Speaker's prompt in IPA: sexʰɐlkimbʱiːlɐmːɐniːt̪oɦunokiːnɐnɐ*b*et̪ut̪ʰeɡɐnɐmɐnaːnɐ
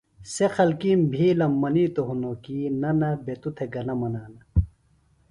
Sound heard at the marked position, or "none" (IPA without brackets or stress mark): b